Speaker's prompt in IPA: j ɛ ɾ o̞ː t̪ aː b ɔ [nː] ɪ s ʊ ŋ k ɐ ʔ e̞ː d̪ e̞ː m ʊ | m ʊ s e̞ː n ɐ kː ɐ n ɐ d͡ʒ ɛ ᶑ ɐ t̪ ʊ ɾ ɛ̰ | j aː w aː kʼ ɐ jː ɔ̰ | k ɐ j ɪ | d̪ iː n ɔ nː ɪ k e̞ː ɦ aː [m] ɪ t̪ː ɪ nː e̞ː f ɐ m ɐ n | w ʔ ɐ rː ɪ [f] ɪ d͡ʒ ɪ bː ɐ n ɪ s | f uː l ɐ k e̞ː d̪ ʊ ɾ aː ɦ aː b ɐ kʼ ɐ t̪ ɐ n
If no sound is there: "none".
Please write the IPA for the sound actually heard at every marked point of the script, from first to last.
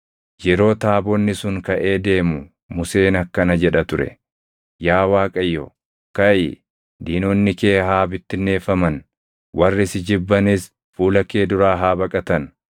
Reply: nː, b, s

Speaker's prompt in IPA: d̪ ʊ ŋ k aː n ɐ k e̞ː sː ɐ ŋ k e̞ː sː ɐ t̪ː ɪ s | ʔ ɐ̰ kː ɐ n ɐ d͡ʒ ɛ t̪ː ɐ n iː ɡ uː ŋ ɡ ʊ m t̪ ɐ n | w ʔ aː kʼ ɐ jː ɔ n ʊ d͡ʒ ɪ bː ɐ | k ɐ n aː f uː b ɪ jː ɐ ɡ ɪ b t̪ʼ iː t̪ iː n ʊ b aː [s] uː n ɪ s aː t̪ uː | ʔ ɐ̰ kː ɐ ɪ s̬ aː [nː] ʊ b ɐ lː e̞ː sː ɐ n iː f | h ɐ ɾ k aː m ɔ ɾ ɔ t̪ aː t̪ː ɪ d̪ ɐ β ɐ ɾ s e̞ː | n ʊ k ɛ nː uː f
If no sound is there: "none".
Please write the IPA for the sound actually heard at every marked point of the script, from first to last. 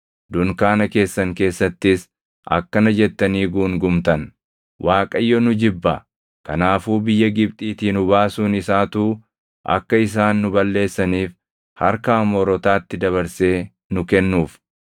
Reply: s, nː

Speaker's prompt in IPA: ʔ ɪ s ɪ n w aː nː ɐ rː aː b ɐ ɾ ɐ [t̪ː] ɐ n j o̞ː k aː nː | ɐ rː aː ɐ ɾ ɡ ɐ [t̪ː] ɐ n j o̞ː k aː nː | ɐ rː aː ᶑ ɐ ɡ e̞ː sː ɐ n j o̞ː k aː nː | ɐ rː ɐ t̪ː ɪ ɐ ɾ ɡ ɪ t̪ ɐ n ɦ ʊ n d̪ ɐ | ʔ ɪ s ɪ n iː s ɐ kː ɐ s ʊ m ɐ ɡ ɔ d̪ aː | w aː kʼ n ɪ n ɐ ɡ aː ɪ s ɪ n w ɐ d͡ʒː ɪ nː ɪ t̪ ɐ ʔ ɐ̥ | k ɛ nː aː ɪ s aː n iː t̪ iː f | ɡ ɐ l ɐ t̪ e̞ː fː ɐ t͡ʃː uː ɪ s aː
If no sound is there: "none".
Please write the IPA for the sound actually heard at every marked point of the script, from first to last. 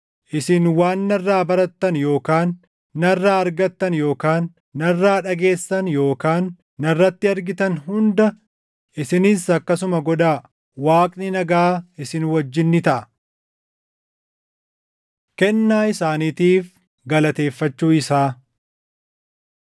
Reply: t̪ː, t̪ː

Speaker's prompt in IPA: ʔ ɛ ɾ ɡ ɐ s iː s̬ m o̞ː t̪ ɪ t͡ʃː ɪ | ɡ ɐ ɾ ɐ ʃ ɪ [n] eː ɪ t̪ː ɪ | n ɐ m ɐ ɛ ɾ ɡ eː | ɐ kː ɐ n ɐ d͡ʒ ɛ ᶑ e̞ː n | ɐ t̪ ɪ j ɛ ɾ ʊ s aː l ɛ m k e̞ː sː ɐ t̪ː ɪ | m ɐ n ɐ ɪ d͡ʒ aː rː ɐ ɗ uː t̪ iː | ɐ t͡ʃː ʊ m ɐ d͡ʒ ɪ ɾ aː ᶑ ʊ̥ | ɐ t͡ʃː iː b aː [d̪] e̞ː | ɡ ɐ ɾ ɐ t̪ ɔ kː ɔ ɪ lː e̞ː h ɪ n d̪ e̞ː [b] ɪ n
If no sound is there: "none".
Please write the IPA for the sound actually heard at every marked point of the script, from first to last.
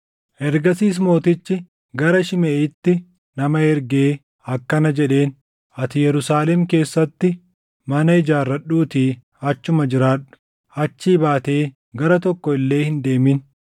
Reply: m, t̪, m

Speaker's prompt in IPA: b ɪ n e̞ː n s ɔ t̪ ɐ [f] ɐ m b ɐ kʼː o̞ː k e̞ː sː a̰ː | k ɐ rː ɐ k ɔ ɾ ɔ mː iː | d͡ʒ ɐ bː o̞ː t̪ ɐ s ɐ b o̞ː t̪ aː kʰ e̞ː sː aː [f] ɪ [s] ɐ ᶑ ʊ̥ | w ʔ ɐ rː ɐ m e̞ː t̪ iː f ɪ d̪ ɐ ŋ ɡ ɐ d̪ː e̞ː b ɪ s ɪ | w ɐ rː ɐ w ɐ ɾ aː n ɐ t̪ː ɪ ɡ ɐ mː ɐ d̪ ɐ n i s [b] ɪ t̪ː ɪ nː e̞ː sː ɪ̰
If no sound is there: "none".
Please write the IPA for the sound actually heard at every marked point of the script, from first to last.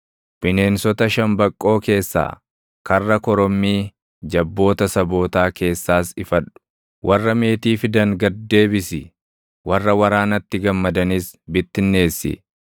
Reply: ʃ, s, f, b

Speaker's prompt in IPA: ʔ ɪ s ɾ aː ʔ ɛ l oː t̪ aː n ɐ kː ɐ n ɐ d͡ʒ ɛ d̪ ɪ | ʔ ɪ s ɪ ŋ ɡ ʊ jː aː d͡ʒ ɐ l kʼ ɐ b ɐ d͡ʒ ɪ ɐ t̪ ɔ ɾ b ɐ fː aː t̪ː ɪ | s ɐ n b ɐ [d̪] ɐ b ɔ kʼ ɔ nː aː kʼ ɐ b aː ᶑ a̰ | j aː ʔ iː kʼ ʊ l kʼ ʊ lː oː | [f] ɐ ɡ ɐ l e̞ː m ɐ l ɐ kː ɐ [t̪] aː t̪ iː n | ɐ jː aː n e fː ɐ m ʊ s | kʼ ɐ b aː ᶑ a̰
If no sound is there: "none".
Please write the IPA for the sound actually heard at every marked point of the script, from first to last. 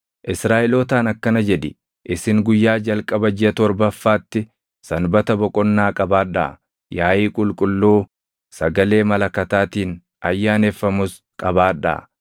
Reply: t̪, s, t̪

